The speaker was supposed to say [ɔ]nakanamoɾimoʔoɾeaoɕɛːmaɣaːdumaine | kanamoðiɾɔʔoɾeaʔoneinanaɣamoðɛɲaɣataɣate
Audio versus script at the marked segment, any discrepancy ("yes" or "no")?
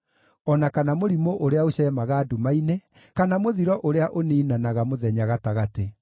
no